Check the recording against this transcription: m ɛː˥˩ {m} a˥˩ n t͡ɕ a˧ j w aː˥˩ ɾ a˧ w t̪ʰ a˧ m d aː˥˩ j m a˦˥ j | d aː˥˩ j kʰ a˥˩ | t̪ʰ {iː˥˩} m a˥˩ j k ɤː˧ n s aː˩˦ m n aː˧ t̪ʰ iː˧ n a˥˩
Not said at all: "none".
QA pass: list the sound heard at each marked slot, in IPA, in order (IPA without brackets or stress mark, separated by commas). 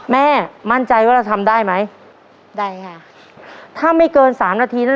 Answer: m, aː˥˩